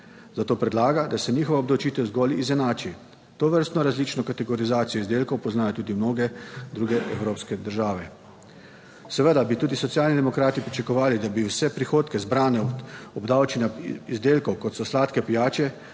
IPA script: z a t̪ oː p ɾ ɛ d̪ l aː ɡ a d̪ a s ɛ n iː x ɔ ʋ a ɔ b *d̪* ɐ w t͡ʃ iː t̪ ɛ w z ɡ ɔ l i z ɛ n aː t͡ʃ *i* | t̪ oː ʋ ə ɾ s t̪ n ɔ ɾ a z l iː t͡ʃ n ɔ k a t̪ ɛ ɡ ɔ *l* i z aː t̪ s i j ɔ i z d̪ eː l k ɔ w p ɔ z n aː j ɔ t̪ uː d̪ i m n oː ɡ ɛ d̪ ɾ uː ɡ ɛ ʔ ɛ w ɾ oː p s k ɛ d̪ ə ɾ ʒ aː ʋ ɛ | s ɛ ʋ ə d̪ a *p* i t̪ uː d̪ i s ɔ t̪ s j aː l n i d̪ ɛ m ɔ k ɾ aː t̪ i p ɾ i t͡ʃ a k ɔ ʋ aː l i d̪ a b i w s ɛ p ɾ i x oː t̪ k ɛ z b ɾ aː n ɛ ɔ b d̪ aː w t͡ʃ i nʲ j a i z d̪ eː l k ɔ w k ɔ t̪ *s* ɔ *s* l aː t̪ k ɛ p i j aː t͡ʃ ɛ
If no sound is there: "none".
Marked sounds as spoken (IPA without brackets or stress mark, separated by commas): d̪, i, ɾ, b, s, s